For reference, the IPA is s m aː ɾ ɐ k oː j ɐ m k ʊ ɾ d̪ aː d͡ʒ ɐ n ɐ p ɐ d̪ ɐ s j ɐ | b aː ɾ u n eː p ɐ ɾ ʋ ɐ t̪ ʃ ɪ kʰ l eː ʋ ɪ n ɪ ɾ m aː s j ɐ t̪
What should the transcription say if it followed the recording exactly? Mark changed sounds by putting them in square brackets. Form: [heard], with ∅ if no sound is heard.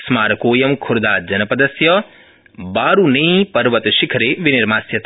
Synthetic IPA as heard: s m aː ɾ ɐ k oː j ɐ m [kʰ] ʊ ɾ d̪ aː d͡ʒ ɐ n ɐ p ɐ d̪ ɐ s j ɐ | b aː ɾ u n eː p ɐ ɾ ʋ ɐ t̪ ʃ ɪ kʰ [ɾ] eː ʋ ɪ n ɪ ɾ m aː s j ɐ t̪